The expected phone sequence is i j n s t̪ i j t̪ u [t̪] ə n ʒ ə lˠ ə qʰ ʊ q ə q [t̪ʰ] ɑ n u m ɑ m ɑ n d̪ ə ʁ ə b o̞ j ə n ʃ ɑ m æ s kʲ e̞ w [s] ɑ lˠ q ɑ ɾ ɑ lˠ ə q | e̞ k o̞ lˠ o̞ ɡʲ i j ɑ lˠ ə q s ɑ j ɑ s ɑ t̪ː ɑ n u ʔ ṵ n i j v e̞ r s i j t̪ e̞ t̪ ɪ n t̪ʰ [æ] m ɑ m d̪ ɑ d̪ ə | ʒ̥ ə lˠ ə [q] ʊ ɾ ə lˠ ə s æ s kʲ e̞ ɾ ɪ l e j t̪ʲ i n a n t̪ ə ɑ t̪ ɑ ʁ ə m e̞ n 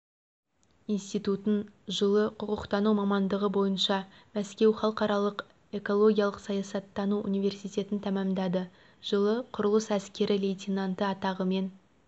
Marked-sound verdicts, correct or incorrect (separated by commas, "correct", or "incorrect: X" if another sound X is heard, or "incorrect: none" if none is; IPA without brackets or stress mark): correct, incorrect: t̪, incorrect: χ, correct, incorrect: qʰ